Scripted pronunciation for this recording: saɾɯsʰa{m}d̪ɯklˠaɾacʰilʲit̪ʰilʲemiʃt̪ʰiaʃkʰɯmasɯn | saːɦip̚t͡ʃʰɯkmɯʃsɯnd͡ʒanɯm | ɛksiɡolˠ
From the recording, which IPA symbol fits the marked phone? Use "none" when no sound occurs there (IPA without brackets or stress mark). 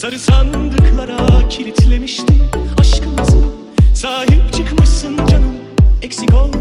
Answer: n